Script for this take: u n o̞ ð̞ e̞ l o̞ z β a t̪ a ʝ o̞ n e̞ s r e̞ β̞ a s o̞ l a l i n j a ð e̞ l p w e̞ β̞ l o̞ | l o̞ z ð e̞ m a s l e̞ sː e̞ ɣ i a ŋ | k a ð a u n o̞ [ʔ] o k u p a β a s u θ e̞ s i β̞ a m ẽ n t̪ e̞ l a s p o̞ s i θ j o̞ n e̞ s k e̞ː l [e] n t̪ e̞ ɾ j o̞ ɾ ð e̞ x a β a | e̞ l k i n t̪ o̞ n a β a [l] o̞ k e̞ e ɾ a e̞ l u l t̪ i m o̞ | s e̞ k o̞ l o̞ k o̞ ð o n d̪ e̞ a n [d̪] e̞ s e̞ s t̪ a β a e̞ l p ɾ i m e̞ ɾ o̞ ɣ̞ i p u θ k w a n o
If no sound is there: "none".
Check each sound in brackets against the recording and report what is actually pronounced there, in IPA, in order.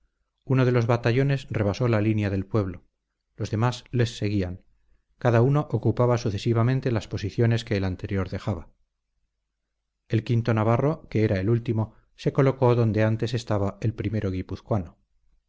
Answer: ʔ, a, r, t̪

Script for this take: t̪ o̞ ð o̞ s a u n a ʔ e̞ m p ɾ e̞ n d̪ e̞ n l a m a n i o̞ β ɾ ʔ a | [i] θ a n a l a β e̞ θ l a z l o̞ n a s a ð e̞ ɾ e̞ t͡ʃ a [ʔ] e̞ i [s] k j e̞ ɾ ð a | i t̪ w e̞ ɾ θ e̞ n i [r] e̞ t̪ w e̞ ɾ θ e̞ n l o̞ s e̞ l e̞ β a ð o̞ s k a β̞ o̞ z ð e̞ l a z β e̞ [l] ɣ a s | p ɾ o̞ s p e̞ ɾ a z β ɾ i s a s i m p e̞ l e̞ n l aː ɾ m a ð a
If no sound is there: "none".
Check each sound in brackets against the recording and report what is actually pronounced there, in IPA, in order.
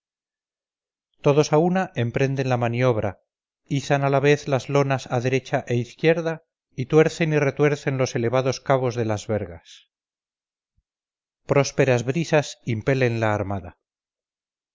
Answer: i, ʔ, θ, r, ɾ

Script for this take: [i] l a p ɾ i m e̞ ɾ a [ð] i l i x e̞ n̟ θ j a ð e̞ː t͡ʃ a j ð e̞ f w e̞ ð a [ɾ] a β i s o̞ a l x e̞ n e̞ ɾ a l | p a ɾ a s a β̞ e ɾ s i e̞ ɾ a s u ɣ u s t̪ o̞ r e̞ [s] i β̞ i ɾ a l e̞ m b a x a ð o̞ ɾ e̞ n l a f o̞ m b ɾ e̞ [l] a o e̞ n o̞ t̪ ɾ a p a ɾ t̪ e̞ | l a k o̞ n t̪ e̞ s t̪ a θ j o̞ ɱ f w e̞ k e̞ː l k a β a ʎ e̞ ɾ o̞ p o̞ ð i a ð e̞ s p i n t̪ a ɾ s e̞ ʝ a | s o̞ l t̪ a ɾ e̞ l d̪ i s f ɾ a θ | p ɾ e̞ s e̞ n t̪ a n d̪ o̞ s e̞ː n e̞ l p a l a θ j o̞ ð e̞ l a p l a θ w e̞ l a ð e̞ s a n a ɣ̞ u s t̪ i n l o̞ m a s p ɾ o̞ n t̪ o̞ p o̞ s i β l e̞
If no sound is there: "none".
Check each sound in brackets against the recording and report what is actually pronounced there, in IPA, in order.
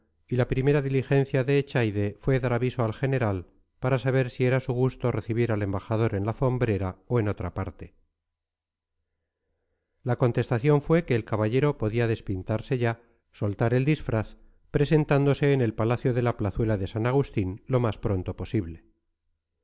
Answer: i, ð, ɾ, θ, ɾ

